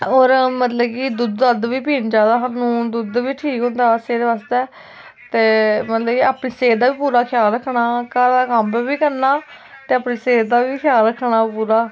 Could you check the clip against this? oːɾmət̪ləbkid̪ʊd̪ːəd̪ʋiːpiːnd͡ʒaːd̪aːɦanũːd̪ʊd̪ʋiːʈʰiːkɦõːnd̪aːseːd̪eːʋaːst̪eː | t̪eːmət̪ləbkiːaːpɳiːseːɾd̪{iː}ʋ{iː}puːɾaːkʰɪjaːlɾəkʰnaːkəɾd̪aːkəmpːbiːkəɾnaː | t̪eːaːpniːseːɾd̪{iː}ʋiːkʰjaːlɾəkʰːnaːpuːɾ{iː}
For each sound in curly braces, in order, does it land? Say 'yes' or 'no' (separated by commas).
no, yes, no, no